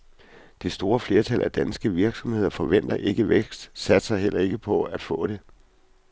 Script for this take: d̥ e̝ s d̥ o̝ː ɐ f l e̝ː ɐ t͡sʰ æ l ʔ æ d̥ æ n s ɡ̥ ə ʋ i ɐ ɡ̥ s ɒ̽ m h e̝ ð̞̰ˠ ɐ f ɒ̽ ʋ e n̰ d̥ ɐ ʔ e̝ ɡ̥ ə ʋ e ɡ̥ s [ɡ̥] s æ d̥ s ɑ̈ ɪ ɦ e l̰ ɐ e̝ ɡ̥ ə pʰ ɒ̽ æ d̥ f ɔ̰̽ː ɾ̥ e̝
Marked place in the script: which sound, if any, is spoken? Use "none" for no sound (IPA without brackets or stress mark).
d̥